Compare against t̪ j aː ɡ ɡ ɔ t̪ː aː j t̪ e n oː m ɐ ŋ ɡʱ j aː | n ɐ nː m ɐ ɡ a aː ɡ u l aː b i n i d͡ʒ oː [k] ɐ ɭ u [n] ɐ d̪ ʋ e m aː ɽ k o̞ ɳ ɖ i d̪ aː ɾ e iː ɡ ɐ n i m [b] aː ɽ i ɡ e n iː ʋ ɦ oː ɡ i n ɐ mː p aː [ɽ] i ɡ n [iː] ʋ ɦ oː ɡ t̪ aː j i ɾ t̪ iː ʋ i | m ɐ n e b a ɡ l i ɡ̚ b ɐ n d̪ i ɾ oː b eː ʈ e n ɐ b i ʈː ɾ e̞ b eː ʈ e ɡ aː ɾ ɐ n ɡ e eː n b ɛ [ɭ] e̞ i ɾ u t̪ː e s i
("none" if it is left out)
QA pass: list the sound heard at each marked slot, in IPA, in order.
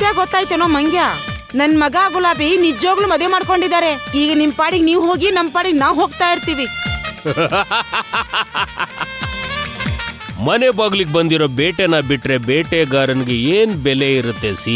ɡ, m, p, ɽ, aː, l

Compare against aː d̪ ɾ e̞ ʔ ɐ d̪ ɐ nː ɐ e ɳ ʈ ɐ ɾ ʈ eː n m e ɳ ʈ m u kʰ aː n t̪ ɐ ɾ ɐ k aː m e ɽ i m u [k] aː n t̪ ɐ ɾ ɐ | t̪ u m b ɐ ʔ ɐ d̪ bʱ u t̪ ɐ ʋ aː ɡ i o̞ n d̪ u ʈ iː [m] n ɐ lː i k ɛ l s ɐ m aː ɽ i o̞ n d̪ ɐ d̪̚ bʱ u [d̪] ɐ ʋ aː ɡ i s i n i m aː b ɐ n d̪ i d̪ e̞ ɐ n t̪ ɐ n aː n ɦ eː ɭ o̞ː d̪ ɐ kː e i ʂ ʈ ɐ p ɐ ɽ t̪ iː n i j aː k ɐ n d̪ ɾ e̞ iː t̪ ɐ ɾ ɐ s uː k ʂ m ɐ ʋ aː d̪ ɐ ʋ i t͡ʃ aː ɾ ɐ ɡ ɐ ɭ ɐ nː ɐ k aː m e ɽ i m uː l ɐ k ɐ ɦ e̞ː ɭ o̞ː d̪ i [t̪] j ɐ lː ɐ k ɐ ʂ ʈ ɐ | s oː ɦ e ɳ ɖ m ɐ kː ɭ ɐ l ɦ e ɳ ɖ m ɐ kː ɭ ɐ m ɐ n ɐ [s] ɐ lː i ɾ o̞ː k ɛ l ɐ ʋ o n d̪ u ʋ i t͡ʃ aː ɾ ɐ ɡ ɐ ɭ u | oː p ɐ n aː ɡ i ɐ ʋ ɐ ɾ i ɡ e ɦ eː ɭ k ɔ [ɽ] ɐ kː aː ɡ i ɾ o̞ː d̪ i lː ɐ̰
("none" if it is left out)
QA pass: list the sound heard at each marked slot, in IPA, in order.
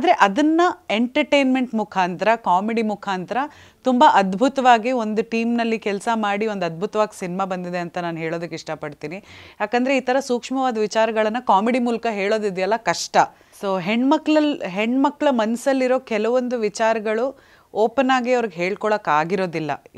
kʰ, m, t̪, d̪, s, ɭ

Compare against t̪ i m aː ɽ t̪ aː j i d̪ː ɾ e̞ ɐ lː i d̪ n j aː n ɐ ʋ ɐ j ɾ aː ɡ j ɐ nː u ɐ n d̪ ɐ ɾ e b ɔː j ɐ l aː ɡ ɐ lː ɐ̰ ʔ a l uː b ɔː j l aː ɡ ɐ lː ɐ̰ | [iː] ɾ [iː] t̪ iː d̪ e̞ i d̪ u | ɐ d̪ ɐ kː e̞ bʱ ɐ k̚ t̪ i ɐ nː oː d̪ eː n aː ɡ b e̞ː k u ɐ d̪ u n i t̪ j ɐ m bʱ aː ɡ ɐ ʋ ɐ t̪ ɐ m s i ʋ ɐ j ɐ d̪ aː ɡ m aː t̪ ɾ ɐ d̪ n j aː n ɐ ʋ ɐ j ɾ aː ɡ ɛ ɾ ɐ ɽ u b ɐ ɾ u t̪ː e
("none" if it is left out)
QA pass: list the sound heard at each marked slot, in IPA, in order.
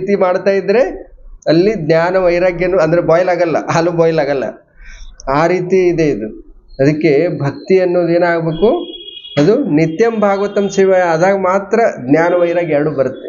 aː, iː

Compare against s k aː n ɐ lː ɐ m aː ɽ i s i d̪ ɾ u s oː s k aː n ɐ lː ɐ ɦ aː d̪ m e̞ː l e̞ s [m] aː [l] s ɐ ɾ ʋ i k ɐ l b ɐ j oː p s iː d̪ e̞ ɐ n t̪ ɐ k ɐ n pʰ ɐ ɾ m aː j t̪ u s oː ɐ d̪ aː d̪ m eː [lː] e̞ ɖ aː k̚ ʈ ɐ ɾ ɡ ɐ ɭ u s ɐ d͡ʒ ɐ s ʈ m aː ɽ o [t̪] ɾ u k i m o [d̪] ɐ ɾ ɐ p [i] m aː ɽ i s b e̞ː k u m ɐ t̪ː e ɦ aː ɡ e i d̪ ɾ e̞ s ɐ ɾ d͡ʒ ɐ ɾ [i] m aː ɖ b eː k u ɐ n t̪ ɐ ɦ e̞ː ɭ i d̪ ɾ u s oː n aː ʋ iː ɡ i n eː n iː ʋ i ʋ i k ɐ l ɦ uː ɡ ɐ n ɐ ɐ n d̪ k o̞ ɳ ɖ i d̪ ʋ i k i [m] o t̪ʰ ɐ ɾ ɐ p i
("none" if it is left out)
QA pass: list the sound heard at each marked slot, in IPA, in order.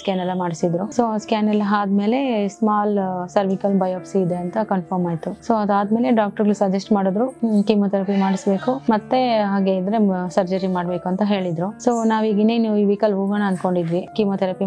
m, l, l, d̪, t̪, i, i, m

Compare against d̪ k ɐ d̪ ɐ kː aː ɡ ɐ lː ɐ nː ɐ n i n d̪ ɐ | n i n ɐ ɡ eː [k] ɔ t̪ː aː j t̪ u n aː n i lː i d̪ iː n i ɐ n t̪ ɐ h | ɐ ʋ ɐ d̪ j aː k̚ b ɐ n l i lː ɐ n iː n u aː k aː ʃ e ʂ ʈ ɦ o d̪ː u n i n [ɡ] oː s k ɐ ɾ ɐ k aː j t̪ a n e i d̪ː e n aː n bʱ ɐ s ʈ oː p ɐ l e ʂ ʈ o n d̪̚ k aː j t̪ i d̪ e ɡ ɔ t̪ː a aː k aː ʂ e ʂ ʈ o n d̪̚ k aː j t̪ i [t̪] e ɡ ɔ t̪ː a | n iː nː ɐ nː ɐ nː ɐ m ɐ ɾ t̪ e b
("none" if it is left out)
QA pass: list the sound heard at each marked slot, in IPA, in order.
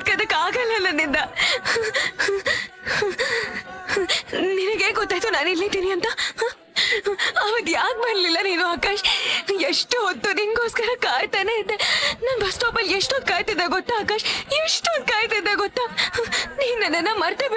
ɡ, ɡ, d̪

